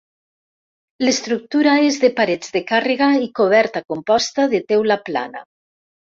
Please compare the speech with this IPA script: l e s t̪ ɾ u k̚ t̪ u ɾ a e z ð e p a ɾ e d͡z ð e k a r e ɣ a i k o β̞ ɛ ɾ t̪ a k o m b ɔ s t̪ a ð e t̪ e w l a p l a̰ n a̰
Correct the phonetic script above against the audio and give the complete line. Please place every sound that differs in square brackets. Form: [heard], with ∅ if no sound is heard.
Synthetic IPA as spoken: l e s t̪ ɾ u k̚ t̪ u ɾ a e z ð e p a ɾ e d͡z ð e k a r e ɣ a i k o β̞ ɛ ɾ t̪ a k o m [p] ɔ s t̪ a ð e t̪ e w l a p l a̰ n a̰